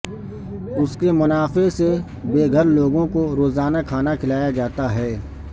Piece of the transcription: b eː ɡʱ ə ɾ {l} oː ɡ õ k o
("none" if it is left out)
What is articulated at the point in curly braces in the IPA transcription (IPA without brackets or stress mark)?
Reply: l